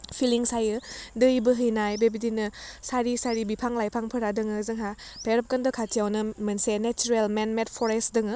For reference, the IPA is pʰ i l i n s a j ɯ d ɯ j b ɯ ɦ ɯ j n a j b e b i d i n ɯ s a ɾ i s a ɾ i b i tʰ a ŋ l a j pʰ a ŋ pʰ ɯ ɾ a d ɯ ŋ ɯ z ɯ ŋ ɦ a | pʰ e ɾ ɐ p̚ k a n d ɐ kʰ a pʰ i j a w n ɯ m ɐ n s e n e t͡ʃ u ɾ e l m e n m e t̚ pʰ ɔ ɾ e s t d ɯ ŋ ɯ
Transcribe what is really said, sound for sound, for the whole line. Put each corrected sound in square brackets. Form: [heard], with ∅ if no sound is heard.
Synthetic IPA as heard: pʰ i l i [ŋ] s a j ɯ d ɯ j b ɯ ɦ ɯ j n a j b e b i d i n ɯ s a ɾ i s a ɾ i b i [pʰ] a ŋ l a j pʰ a ŋ pʰ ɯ ɾ a d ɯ ŋ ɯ z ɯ ŋ ɦ a | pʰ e ɾ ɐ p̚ k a n d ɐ kʰ a [tʰ] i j a w n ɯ m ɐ n s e n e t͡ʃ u ɾ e l m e n m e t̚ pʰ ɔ ɾ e s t d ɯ ŋ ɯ

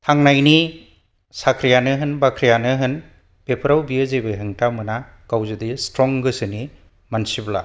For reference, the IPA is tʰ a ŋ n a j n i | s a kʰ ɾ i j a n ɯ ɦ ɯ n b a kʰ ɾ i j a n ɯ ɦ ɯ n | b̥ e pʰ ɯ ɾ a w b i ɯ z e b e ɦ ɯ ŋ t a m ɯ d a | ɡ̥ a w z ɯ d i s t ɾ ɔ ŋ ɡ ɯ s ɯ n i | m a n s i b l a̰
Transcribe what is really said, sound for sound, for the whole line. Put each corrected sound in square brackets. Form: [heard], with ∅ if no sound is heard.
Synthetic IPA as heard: tʰ a ŋ n a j n i | s a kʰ ɾ i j a n ɯ ɦ ɯ n b a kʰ ɾ i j a n ɯ ɦ ɯ n | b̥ e pʰ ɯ ɾ a w b i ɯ z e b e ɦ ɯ ŋ t a m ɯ [n] a | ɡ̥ a w z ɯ d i s t ɾ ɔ ŋ ɡ ɯ s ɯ n i | m a n s i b l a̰

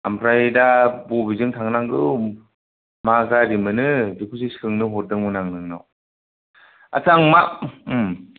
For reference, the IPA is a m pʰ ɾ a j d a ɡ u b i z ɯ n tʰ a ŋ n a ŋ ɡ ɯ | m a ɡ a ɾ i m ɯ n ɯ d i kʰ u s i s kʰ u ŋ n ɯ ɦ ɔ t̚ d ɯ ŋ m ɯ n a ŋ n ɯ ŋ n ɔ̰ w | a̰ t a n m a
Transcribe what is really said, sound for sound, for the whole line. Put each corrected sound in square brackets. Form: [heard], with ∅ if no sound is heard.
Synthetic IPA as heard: a m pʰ ɾ a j d a [b] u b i z ɯ [ŋ] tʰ a ŋ n a ŋ ɡ ɯ | m a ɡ a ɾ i m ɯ n ɯ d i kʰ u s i s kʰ [ɯ] ŋ n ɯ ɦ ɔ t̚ d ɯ ŋ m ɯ n a ŋ n ɯ ŋ n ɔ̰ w | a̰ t a [ŋ] m a

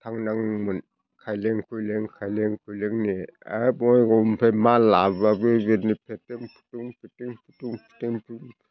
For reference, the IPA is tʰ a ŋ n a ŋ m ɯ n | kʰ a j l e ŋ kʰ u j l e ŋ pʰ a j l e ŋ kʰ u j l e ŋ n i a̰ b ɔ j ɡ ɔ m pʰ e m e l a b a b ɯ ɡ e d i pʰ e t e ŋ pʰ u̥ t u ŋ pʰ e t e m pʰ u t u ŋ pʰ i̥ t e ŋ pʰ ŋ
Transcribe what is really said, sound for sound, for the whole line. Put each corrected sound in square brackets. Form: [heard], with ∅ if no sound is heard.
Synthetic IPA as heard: tʰ a ŋ n a ŋ m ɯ n | kʰ a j l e ŋ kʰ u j l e ŋ [kʰ] a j l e ŋ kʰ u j l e ŋ n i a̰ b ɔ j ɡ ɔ m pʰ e m [a] l a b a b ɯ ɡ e [n] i pʰ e t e ŋ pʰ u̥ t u ŋ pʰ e t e [ŋ] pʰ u t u ŋ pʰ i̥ t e ŋ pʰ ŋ

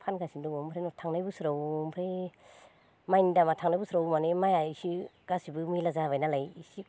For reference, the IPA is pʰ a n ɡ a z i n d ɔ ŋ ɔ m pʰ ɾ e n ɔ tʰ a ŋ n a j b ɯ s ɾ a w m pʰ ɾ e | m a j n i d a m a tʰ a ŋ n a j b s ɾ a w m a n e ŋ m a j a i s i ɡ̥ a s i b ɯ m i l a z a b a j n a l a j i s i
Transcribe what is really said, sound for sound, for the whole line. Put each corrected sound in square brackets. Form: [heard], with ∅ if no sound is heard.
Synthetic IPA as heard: pʰ a n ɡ a [s] i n d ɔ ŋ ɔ m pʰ ɾ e n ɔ tʰ a ŋ n a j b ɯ s ɾ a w m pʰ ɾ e | m a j n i d a m a tʰ a ŋ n a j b s ɾ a w m a n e [∅] m a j a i s i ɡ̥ a s i b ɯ m i l a z a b a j n a l a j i s i

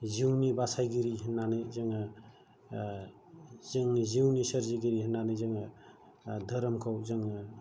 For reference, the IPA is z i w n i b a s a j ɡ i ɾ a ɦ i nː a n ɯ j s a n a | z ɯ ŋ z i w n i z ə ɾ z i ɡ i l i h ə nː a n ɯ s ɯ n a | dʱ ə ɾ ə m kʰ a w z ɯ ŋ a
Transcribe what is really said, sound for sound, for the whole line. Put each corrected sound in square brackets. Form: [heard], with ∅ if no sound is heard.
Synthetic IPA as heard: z i w n i b a s a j ɡ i ɾ [i] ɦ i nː a n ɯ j [z] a [ŋ] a | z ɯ ŋ z i w n i [s] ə ɾ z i ɡ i [ɾ] i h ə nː a n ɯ [z] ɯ [ŋ] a | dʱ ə ɾ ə m kʰ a w z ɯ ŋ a

